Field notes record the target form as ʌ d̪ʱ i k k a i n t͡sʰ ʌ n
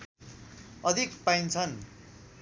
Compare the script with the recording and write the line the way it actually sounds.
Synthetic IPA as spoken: ʌ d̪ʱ i k p a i n t͡sʰ ʌ n